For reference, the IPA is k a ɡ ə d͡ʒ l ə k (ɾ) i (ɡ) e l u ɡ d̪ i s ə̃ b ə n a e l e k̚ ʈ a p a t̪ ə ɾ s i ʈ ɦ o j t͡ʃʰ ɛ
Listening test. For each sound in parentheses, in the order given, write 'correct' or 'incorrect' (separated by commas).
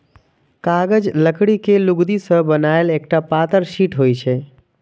incorrect, incorrect